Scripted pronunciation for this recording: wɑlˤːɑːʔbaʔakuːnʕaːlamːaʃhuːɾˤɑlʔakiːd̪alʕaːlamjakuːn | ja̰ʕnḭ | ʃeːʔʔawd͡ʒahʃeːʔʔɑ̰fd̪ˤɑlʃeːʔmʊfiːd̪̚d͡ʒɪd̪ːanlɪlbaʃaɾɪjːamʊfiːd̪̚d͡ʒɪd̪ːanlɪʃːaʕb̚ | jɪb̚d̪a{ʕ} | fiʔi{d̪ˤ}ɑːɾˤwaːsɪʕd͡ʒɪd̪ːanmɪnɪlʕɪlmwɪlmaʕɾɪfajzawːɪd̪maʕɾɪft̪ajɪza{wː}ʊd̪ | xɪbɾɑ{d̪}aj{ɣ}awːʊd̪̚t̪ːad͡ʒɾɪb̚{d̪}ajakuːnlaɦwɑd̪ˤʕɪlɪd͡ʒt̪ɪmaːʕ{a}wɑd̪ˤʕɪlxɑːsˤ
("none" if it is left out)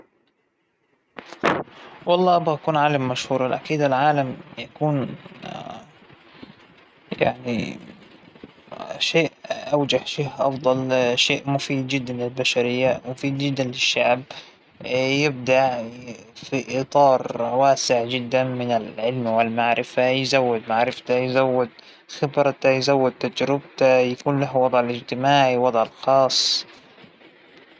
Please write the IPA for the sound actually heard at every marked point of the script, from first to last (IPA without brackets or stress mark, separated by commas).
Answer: ʕ, t̪ˤ, wː, t̪, z, t̪, i